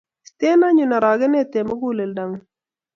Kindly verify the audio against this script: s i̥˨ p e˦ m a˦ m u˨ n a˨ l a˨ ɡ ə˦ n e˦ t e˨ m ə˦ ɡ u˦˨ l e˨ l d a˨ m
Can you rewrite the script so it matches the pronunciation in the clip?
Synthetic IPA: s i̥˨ t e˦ n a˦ ɲ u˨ n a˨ ɾ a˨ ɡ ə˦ n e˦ t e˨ m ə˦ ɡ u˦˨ l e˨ l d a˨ ŋ